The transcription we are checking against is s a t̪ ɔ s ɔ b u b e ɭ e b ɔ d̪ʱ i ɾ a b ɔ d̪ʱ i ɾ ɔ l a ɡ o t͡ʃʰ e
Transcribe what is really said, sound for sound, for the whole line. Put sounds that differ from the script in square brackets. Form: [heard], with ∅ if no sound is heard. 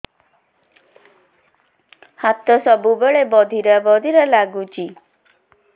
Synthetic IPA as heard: [h] a t̪ ɔ s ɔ b u b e ɭ e b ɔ d̪ʱ i ɾ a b ɔ d̪ʱ i ɾ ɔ l a ɡ [u] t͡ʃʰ [i]